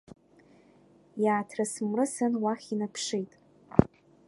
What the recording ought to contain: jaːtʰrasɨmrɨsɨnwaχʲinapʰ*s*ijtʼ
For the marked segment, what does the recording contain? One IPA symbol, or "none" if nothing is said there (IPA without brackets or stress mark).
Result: ʂ